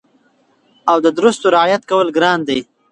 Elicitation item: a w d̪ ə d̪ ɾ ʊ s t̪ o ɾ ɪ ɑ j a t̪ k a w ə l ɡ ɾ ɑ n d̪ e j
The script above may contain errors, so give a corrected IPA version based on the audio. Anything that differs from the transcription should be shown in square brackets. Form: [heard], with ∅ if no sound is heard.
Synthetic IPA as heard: a w d̪ ə d̪ ɾ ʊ s t̪ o ɾ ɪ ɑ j a t̪ k a w ə l ɡ ɾ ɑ n d̪ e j

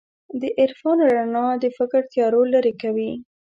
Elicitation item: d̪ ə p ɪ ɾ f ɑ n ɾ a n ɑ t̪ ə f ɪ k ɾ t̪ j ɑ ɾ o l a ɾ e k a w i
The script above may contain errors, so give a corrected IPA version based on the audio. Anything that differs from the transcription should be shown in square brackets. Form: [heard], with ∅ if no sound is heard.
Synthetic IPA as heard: d̪ ə [ʔ] ɪ ɾ f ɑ n ɾ a n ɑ [d̪] ə f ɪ k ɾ t̪ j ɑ ɾ o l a ɾ e k a w i

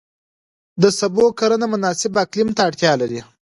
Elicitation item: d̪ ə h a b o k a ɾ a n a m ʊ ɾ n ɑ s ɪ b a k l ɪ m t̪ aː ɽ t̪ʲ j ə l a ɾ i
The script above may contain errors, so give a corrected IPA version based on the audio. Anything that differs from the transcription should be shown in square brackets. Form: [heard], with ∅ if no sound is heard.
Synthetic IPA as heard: d̪ ə [s] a b o k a ɾ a n a m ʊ [∅] n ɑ s ɪ b a k l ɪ m t̪ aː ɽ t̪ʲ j [ɑ] l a ɾ i

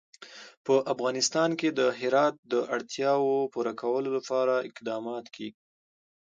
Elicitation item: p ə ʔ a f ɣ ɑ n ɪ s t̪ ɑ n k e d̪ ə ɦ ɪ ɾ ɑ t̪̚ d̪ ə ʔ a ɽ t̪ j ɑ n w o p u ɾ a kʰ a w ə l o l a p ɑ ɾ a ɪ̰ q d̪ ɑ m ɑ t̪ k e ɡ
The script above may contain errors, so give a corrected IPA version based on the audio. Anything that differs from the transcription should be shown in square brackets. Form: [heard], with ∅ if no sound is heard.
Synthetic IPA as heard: p ə ʔ a f ɣ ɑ n ɪ s t̪ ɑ n k e d̪ ə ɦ ɪ ɾ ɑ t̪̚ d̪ ə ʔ a ɽ t̪ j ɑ [∅] w o p u ɾ a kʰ a w ə l o l a p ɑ ɾ a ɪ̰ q d̪ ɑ m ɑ t̪ k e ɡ

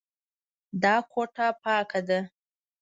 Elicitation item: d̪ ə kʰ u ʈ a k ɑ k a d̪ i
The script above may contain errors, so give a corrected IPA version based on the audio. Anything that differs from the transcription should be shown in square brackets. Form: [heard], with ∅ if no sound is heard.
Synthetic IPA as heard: d̪ [ɑ] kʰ [o] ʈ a [p] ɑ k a d̪ [a]

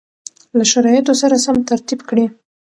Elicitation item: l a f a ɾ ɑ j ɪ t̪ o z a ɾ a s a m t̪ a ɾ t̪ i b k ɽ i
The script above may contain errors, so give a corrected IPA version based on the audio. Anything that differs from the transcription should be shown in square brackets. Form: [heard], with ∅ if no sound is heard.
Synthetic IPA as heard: l a [ʃ] a ɾ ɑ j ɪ t̪ o [s] a ɾ a s a m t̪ a ɾ t̪ i b k ɽ i

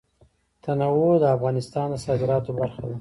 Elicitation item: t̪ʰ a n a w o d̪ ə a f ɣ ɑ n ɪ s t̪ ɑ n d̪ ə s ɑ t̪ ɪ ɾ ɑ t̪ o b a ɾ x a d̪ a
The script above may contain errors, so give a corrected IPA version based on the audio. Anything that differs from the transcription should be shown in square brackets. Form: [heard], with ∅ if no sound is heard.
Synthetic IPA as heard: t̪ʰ a n a w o d̪ ə a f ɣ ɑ n ɪ s t̪ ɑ n d̪ ə s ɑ [d̪] ɪ ɾ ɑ t̪ o b a ɾ x a d̪ a

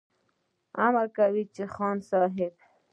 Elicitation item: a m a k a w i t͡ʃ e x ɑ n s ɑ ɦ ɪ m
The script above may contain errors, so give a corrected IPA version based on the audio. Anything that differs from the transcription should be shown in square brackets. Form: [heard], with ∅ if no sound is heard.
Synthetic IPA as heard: a m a k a w i t͡ʃ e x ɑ n s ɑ ɦ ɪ [b]

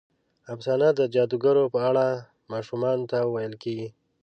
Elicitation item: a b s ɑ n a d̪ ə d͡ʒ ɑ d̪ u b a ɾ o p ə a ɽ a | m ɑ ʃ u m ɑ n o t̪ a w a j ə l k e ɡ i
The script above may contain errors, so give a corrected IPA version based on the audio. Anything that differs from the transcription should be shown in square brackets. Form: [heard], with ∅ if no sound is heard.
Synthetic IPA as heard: a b s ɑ n a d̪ ə d͡ʒ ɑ d̪ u [ɡ] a ɾ o p ə a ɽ a | m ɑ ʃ u m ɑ n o t̪ a w a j ə l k e ɡ i

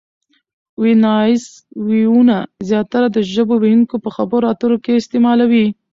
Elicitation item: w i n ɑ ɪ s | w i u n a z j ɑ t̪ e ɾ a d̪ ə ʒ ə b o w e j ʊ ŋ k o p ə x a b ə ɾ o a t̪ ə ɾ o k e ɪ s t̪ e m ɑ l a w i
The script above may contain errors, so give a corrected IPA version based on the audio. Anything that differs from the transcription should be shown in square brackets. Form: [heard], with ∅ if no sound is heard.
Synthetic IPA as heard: w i n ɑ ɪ s | w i u n a z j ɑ t̪ [a] ɾ a d̪ ə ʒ ə b o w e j [u] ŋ k o p ə x a b ə ɾ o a t̪ ə ɾ o k e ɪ s t̪ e m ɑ l a w i

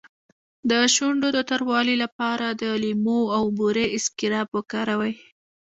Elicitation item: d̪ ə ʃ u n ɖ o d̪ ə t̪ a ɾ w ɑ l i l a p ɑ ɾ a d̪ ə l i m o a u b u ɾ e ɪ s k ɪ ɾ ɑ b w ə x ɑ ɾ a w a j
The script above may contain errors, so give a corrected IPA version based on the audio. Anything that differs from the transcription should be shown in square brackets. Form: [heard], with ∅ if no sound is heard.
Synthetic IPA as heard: d̪ ə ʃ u [ɳ] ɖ o d̪ ə t̪ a ɾ w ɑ l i l a p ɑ ɾ a d̪ ə l i m o a [w] b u ɾ e ɪ s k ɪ ɾ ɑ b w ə [k] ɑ ɾ a w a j

